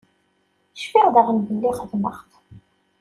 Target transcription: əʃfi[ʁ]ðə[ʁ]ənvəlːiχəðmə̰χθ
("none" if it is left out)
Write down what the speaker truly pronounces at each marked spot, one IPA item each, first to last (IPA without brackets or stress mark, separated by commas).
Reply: ʁ, ʁ